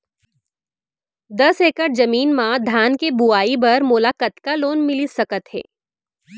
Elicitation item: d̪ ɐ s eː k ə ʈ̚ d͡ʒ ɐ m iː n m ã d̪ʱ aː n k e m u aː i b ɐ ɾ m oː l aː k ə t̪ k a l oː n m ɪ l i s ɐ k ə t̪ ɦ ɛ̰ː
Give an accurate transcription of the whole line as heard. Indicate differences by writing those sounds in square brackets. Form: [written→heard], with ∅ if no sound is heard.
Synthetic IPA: d̪ ɐ s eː k ə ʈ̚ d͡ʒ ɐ m iː n m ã d̪ʱ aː n k e [m→b] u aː i b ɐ ɾ m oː l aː k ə t̪ k a l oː n m ɪ l i s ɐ k ə t̪ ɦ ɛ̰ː